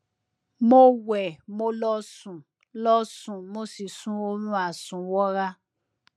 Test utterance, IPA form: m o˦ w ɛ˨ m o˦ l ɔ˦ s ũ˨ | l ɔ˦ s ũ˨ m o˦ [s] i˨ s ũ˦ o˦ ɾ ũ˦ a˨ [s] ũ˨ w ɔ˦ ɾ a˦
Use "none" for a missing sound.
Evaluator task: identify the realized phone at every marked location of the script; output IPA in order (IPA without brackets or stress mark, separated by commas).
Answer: s, s